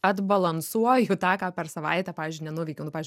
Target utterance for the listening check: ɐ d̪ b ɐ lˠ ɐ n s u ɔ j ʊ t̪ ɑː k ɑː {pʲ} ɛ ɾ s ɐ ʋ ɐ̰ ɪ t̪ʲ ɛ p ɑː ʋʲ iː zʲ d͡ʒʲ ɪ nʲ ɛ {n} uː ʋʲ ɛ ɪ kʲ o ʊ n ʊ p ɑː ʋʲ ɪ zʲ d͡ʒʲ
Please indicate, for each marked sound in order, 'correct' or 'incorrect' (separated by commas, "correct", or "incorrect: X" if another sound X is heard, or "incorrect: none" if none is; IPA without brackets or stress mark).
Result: correct, correct